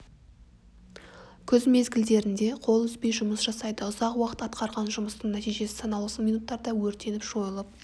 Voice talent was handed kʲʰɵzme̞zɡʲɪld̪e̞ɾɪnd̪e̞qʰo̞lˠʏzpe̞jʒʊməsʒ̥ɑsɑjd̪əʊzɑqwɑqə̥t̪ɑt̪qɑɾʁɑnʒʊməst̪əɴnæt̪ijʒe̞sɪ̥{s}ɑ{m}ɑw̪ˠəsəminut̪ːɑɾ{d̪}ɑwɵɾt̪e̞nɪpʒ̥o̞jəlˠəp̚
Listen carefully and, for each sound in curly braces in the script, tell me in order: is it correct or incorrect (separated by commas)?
correct, incorrect, correct